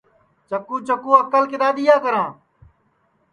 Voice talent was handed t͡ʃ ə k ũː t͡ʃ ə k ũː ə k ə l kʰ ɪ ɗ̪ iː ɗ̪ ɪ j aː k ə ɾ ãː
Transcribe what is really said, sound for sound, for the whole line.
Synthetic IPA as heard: t͡ʃ ə k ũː t͡ʃ ə k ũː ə k ə l k ɪ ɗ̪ aː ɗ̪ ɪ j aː k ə ɾ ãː